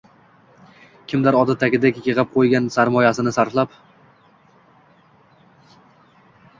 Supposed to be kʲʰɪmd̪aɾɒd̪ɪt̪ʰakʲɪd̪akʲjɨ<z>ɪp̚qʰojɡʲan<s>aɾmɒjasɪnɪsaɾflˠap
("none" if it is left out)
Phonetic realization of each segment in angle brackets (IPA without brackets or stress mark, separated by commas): ʁ, s